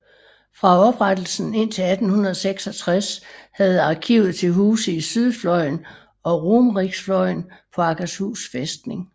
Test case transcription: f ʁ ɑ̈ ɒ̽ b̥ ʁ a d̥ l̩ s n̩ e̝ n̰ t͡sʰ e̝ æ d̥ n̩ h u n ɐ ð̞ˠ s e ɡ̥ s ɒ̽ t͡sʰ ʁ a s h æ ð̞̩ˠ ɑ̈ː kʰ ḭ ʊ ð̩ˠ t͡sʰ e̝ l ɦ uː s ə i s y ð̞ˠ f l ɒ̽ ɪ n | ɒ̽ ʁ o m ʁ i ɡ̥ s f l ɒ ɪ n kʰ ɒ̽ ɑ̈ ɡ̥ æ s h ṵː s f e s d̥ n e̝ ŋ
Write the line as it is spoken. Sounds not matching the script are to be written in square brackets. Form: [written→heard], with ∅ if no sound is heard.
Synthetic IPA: f ʁ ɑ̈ ɒ̽ b̥ ʁ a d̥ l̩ s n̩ e̝ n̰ t͡sʰ e̝ æ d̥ n̩ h u n ɐ ð̞ˠ s e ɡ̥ s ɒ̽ t͡sʰ ʁ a s h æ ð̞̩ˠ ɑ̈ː kʰ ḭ ʊ ð̩ˠ t͡sʰ e̝ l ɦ uː s ə i s y ð̞ˠ f l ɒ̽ ɪ n | ɒ̽ ʁ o m ʁ i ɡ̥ s f l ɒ ɪ n [kʰ→pʰ] ɒ̽ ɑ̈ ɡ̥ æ s h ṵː s f e s d̥ n e̝ ŋ